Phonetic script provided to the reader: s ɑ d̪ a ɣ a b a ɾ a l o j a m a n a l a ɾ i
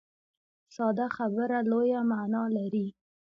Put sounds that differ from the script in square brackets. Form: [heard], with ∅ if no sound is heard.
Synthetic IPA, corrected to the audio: s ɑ d̪ a [x] a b [ə] ɾ a l o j a m a n [ɑ] l a ɾ i